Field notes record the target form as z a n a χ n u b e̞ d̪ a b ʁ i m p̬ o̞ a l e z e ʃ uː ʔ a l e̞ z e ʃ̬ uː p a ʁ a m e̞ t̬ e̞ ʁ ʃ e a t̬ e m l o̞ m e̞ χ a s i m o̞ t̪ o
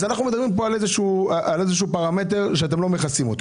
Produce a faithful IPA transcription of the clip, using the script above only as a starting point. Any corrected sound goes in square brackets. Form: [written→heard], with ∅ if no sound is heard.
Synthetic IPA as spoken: z a n a χ n u [b→m] e̞ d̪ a b ʁ i m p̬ o̞ a l e z e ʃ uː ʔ a l e̞ z e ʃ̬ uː p a ʁ a m e̞ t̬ e̞ ʁ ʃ e a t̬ e m l o̞ m e̞ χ a s i m o̞ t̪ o